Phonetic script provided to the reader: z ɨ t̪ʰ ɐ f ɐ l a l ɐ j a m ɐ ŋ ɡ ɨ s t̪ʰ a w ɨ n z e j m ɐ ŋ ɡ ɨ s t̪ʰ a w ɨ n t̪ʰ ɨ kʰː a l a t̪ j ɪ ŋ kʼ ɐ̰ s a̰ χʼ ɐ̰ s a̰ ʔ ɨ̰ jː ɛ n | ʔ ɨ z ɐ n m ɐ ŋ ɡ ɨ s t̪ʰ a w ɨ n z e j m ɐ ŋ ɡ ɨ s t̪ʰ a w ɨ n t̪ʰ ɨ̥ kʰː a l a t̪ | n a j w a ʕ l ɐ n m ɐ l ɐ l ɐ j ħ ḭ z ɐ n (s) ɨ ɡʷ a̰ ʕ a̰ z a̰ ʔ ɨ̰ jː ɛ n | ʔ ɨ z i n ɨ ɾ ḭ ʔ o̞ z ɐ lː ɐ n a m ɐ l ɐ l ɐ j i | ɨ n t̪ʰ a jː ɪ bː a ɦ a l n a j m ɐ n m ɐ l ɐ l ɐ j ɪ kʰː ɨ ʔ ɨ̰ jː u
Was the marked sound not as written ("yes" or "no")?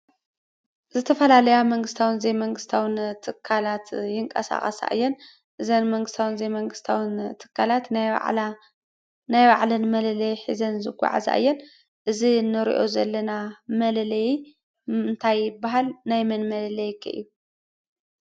yes